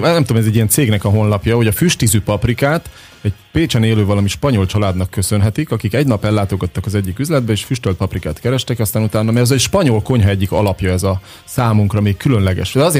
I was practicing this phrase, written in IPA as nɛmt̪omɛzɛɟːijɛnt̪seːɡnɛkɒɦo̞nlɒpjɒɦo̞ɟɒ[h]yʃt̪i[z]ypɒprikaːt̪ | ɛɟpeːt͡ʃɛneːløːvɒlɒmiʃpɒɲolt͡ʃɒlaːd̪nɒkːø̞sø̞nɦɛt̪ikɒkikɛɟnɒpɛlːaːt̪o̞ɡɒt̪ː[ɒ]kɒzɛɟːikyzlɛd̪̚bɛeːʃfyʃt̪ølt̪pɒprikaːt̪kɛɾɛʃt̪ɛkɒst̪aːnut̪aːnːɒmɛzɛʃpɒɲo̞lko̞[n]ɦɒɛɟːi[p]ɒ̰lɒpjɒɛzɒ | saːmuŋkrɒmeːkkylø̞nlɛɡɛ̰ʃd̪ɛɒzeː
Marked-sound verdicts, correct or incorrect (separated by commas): incorrect, correct, correct, incorrect, incorrect